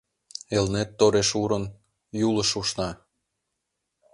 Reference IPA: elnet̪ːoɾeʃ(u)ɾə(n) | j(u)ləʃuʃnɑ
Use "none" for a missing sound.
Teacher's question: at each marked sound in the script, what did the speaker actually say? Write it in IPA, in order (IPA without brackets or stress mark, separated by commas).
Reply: u, n, u